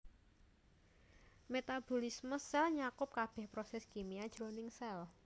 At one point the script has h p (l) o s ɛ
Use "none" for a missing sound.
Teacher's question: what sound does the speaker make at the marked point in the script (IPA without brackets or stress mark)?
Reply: ɾ